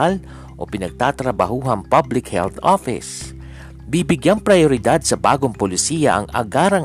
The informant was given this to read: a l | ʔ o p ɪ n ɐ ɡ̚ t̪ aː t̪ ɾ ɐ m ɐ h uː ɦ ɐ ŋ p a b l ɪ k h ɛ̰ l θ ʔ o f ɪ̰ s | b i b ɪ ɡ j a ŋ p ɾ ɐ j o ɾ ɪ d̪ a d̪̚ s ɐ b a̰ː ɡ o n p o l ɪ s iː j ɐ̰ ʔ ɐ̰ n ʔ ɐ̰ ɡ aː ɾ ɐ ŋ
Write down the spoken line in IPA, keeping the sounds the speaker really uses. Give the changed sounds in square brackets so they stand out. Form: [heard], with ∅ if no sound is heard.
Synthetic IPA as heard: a l | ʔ o p ɪ n ɐ ɡ̚ t̪ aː t̪ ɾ ɐ [b] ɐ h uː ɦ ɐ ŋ p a b l ɪ k h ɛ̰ l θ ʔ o f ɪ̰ s | b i b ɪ ɡ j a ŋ p ɾ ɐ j o ɾ ɪ d̪ a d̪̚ s ɐ b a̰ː ɡ o [ŋ] p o l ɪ s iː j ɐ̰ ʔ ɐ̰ [ŋ] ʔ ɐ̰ ɡ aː ɾ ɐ ŋ